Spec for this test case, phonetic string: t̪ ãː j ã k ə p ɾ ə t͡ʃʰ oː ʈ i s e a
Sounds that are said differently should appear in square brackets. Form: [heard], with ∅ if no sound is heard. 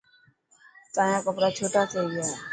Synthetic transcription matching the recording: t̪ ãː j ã k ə p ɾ [a] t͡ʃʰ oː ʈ [a] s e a